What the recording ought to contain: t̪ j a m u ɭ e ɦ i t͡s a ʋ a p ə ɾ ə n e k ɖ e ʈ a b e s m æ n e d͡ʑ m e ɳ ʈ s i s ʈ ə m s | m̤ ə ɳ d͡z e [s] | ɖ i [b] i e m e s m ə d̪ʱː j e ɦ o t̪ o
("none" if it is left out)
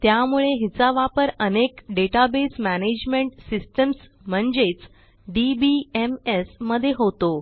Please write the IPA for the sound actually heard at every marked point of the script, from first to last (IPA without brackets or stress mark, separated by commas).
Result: t͡s, b